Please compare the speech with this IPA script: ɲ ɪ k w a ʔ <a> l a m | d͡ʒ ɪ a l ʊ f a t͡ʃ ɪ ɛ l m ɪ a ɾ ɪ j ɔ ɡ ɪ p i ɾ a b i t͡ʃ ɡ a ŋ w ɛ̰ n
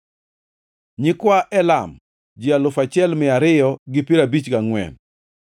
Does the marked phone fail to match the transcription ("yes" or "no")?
yes